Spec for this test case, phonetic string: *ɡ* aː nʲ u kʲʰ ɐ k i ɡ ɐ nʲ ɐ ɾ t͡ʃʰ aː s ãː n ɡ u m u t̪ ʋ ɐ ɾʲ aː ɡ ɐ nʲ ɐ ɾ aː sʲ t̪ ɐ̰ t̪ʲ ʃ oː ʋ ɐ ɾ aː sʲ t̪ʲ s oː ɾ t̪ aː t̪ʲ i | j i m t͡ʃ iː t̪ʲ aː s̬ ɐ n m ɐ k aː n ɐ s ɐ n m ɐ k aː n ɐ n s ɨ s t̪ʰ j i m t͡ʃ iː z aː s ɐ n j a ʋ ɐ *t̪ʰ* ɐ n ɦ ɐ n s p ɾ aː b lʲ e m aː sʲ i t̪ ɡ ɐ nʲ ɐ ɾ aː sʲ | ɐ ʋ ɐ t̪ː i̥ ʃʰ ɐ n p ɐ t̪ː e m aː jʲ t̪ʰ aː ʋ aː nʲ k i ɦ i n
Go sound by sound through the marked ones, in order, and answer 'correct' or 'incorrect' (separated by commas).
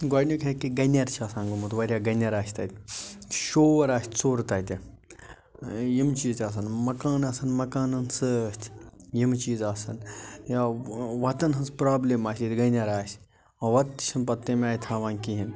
correct, incorrect